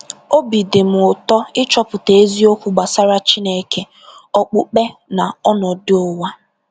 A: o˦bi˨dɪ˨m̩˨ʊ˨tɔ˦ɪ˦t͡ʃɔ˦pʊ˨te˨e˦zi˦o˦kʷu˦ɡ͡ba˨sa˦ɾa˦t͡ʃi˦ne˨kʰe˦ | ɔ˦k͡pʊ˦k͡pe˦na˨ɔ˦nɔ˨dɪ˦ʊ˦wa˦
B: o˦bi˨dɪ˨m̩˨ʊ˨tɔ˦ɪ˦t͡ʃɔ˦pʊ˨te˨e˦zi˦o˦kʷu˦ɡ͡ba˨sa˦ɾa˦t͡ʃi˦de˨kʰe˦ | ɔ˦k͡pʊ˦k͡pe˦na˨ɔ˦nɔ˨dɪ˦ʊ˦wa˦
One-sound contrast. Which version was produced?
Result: A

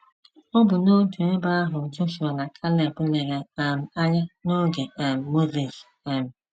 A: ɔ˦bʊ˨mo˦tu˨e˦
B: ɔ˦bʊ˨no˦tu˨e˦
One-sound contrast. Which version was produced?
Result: B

